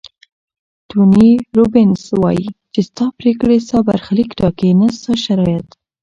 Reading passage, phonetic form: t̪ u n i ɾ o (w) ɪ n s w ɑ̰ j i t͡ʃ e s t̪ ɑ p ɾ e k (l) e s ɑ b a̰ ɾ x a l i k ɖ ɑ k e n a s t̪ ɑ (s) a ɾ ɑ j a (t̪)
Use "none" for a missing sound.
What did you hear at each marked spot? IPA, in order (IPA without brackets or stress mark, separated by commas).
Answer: b, ɽ, ʃ, t̪